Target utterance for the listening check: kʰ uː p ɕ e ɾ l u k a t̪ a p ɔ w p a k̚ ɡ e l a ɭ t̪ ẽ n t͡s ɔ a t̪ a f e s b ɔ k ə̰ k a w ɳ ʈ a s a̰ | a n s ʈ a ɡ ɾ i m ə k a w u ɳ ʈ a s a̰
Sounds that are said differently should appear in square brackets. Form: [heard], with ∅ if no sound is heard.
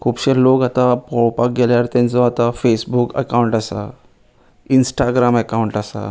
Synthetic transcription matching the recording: kʰ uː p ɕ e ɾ l [o] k a t̪ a p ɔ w p a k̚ ɡ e l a [ɾ] t̪ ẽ n t͡s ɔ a t̪ a f e s b [u] k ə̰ k a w ɳ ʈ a s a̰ | [i] n s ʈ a ɡ ɾ [a] m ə k a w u ɳ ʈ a s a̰